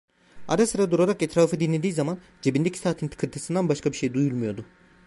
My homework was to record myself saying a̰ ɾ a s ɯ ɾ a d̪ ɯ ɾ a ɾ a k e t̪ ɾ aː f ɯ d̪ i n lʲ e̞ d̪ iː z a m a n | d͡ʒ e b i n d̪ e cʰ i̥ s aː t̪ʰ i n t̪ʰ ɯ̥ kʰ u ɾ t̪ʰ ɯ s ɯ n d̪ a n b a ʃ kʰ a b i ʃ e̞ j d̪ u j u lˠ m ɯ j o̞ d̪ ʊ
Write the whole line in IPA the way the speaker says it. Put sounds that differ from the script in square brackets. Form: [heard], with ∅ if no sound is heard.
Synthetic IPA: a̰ ɾ a s ɯ ɾ a d̪ [u] ɾ a ɾ a k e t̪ ɾ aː f ɯ d̪ i n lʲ e̞ d̪ iː z a m a n | d͡ʒ e b i n d̪ e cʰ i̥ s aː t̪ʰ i n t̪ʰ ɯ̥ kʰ [ɯ] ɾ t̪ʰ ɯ s ɯ n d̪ a n b a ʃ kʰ a b i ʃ e̞ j d̪ u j u lˠ m [u] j o̞ d̪ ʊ